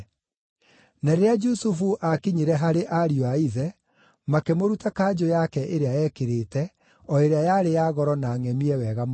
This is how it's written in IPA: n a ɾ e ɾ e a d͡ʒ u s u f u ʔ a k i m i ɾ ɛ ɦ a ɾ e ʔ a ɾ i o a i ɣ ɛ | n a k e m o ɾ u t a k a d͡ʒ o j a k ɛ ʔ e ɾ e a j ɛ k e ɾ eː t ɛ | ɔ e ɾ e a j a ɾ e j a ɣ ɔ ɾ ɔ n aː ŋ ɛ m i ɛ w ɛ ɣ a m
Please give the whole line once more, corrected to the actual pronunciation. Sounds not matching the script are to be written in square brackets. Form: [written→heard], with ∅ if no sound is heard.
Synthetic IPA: n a ɾ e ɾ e a d͡ʒ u s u f u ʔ a k i [m→ɲ] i ɾ ɛ ɦ a ɾ e ʔ a ɾ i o a i [ɣ→ð] ɛ | [n→m] a k e m o ɾ u t a k a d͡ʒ o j a k ɛ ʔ e ɾ e a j ɛ k e ɾ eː t ɛ | ɔ e ɾ e a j a ɾ e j a ɣ ɔ ɾ ɔ n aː ŋ ɛ m i ɛ w ɛ ɣ a m

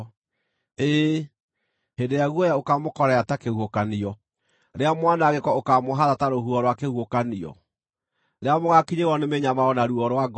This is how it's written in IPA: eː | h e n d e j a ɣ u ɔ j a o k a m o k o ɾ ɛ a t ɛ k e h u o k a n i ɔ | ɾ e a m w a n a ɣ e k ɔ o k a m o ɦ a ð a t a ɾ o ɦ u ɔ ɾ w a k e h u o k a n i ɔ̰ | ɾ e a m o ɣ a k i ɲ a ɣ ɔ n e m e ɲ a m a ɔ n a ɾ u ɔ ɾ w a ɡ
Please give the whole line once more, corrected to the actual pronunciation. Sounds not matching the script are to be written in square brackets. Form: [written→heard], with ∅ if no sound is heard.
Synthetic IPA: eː | h e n d e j a ɣ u ɔ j a o k a m o k [o→ɔ] ɾ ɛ a t [ɛ→a] k e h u o k a n i ɔ | ɾ e a m w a n a ɣ e k ɔ o k a m o ɦ a ð a t a ɾ o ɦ u ɔ ɾ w a k e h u o k a n i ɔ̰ | ɾ e a m o ɣ a k i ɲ [a→e] ɣ ɔ n e m e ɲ a m a ɔ n a ɾ u ɔ ɾ w a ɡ

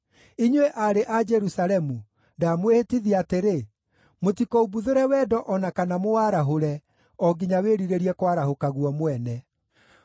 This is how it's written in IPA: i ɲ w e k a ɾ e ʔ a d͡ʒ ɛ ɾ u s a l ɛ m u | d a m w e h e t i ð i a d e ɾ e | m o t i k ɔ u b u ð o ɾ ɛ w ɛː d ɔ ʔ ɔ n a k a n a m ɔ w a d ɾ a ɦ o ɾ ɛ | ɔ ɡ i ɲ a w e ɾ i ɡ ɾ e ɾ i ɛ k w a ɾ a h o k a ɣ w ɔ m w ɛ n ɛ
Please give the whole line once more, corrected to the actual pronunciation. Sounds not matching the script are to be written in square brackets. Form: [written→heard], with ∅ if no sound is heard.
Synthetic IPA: i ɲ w e [k→ʔ] a ɾ e ʔ a d͡ʒ ɛ ɾ u s a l ɛ m u | d a m w e h e t i ð i a [d→t] e ɾ e | m o t i k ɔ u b u ð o ɾ ɛ w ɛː d ɔ ʔ ɔ n a k a n a m [ɔ→o] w a [d→∅] ɾ a ɦ o ɾ ɛ | ɔ ɡ i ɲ a w e ɾ i [ɡ→∅] ɾ e ɾ i ɛ k w a ɾ a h o k a ɣ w ɔ m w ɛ n ɛ

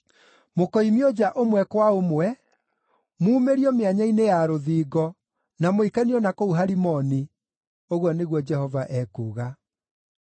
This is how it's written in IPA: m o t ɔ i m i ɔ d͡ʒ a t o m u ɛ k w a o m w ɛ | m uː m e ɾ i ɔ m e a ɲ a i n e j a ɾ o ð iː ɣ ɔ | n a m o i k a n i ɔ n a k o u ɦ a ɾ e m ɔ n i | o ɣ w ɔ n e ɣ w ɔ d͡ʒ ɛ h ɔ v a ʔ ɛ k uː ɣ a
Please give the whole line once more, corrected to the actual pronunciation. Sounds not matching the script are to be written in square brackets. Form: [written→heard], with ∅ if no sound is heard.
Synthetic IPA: m o [t→k] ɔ i m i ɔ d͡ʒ a [t→ʔ] o m [u→w] ɛ k w a o m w ɛ | m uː m e ɾ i ɔ m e a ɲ a i n e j a ɾ o ð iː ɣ ɔ | n a m o i k a n i ɔ n a k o u ɦ a ɾ [e→i] m ɔ n i | o ɣ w ɔ n e ɣ w ɔ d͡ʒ ɛ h ɔ v a ʔ ɛ k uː ɣ a

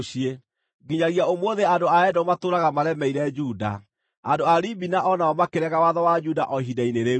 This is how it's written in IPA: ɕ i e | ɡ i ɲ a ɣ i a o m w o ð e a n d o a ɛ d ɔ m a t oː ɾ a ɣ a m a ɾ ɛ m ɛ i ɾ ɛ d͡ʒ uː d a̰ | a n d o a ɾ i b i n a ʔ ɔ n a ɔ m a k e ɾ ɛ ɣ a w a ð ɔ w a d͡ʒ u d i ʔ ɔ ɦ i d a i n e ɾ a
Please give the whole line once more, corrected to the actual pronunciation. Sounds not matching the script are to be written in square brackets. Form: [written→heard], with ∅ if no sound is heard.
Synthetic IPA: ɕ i e | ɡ i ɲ a ɣ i a o m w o ð e a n d o a ɛ d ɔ m a t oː ɾ a ɣ a m a ɾ ɛ m ɛ i ɾ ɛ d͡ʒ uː d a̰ | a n d o a ɾ i b i n a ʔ ɔ n a ɔ m a k e ɾ ɛ ɣ a w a ð ɔ w a d͡ʒ u d [i→a] ʔ ɔ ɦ i d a i n e ɾ [a→e]

